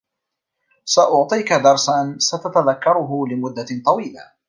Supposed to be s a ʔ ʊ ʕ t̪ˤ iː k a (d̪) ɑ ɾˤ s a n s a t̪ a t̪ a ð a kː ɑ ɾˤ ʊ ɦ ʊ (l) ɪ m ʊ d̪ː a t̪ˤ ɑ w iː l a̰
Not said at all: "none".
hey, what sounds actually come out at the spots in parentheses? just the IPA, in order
d̪, l

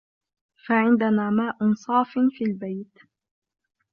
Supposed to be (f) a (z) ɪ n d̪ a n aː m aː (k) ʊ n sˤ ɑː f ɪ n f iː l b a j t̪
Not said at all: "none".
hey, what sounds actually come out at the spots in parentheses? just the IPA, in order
f, ʕ, ʔ

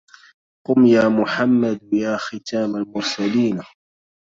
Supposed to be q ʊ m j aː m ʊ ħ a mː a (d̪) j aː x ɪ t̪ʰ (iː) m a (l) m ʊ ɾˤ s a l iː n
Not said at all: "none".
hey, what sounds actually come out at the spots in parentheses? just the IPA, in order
d̪, aː, l

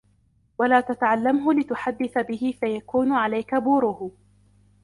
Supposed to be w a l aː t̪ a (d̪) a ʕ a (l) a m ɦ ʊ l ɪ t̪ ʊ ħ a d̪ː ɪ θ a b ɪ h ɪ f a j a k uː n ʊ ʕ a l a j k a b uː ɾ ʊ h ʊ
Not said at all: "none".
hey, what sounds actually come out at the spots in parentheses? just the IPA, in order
t̪, lː

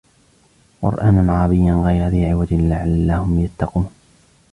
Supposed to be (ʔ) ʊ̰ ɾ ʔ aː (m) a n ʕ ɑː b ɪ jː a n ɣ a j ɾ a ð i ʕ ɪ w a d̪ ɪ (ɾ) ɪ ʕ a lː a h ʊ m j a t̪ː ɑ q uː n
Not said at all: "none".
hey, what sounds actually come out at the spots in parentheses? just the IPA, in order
q, n, l

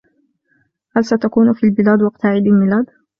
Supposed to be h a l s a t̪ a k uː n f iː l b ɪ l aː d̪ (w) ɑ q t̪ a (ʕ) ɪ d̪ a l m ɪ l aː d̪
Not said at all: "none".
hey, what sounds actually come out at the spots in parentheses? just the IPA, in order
w, ʕ

